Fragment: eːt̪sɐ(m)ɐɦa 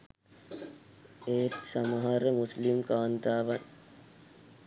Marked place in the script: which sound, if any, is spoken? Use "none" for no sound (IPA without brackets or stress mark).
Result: m